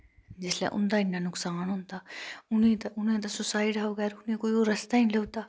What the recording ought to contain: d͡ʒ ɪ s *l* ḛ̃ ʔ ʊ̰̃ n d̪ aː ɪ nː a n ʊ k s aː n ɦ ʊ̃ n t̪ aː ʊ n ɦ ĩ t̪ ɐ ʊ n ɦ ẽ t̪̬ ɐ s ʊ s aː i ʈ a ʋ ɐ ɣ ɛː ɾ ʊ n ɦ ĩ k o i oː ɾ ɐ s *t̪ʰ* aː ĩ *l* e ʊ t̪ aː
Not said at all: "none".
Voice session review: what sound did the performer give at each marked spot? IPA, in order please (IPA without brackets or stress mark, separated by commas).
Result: l, t̪, l